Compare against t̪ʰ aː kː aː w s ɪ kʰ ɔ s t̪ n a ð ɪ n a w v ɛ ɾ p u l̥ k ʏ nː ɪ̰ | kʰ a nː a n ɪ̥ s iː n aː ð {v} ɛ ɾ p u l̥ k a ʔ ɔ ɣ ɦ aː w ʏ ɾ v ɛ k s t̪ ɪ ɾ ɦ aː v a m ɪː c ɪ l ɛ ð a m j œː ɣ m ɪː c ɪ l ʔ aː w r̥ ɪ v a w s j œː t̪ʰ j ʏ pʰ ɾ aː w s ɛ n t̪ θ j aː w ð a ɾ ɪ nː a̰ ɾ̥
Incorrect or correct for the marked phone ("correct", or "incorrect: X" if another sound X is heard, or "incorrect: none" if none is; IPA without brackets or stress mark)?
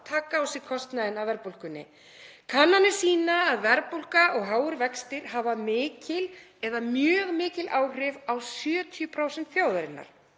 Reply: correct